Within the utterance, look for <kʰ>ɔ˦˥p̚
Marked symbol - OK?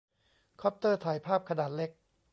yes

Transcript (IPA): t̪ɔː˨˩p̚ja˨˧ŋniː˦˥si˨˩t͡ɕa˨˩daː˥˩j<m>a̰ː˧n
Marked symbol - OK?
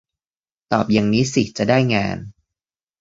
no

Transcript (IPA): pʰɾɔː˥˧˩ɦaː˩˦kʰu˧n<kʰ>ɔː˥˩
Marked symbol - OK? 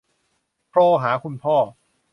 no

